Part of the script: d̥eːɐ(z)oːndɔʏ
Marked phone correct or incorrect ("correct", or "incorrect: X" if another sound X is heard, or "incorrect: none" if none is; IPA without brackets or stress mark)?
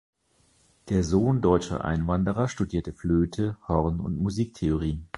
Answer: correct